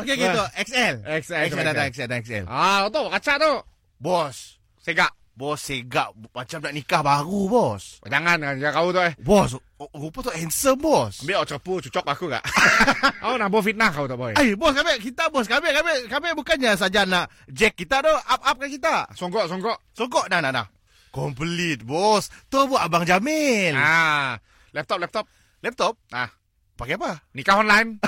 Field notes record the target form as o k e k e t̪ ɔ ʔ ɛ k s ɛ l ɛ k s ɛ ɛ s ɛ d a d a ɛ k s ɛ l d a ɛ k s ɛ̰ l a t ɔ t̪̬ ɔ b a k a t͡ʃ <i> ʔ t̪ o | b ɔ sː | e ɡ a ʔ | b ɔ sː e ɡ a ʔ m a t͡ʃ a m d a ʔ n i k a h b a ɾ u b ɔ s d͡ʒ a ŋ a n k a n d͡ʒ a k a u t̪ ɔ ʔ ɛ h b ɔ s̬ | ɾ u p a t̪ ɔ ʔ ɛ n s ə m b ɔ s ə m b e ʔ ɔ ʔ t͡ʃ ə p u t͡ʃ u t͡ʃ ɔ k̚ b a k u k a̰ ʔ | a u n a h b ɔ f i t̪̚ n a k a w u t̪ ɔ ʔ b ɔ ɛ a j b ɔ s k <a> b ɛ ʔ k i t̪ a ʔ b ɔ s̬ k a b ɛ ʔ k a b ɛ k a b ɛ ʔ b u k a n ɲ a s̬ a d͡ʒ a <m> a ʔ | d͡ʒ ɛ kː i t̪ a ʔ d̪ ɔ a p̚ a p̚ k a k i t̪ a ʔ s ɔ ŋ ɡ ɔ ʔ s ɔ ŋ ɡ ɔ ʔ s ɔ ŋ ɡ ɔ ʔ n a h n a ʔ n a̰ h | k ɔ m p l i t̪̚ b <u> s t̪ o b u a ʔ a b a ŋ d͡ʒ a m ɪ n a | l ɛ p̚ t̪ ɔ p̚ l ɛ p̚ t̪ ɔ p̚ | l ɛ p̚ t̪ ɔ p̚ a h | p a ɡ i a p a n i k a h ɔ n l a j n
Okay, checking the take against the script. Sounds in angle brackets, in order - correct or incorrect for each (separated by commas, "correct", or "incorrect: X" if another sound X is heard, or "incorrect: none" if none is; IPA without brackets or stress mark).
incorrect: a, correct, incorrect: n, incorrect: ɔ